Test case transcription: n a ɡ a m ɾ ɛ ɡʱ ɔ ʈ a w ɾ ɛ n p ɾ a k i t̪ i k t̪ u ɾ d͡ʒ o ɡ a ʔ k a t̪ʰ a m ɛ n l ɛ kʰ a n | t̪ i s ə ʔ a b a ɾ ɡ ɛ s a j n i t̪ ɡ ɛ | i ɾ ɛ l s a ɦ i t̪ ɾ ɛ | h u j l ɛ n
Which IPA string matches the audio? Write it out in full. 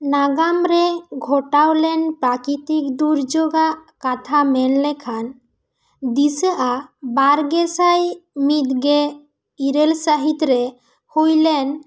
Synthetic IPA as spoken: n a ɡ a m ɾ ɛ ɡʱ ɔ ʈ a w l ɛ n p ɾ a k i t̪ i k d̪ u ɾ d͡ʒ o ɡ a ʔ k a t̪ʰ a m ɛ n l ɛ kʰ a n | d̪ i s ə ʔ a b a ɾ ɡ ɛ s a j m i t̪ ɡ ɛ | i ɾ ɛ l s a ɦ i t̪ ɾ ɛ | h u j l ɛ n